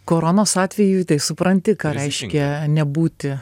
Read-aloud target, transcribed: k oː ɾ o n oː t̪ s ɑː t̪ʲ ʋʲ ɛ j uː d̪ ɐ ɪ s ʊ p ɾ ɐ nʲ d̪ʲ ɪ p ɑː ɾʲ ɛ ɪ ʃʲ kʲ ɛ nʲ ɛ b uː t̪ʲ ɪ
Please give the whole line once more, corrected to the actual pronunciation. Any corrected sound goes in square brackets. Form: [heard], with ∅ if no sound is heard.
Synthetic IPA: k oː ɾ o n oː [∅] s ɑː t̪ʲ ʋʲ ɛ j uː [t̪] ɐ ɪ s ʊ p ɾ ɐ nʲ [t̪ʲ] ɪ [k] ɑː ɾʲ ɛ ɪ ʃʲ kʲ ɛ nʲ ɛ b uː t̪ʲ ɪ